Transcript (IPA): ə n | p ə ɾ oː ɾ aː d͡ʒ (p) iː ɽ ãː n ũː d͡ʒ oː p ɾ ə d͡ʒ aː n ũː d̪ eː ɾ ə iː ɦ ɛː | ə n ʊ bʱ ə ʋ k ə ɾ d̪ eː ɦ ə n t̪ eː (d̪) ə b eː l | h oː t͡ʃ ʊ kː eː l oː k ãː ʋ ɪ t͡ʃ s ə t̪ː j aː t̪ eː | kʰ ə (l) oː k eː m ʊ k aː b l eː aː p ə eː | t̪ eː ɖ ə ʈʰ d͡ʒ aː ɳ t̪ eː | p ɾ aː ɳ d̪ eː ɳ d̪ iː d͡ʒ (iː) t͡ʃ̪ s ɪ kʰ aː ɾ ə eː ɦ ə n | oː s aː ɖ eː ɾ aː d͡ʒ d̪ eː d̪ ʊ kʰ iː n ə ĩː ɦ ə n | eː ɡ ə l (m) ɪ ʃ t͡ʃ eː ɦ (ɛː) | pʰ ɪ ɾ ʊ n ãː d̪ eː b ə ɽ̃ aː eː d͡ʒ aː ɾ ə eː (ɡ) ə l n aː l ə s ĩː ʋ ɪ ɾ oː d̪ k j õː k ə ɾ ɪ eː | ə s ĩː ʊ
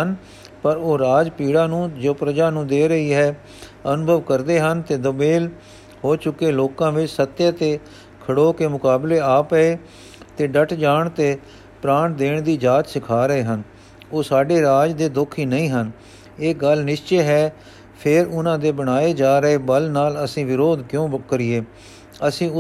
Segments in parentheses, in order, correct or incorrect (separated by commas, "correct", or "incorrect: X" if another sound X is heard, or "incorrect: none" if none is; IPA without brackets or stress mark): correct, correct, incorrect: ɽ, incorrect: aː, incorrect: n, correct, incorrect: b